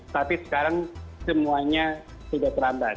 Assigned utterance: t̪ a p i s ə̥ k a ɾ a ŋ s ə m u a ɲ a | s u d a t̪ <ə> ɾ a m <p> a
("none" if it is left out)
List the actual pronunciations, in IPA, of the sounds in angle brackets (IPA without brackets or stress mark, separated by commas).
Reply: ə, b